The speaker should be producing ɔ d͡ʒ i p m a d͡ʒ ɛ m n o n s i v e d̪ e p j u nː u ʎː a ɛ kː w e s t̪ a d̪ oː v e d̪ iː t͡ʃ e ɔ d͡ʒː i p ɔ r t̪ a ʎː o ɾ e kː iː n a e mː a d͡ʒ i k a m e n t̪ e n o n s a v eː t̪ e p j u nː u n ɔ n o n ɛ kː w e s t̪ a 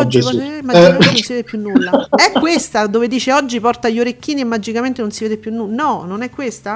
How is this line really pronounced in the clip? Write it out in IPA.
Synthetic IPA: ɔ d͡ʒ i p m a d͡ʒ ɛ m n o n s i v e d̪ e p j u nː u lː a ɛ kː w e s t̪ a d̪ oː v e d̪ iː t͡ʃ e ɔ d͡ʒː i p ɔ r t̪ a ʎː o ɾ e kː iː n i e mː a d͡ʒ i k a m e n t̪ e n o n s i v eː d̪ e p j u nː u n ɔ n o n ɛ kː w e s t̪ a